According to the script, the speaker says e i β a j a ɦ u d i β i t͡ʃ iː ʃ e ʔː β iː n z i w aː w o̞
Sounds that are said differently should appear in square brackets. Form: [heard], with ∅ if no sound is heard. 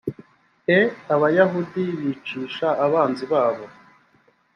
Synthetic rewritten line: e [a] β a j a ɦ u d i β i t͡ʃ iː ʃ [a] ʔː β [aː] n z i [β] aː [β] o̞